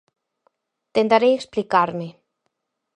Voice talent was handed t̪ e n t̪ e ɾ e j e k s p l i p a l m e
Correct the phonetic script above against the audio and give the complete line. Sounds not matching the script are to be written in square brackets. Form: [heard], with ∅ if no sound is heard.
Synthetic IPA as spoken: t̪ e n t̪ [a] ɾ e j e k s p l i [k] a [ɾ] m e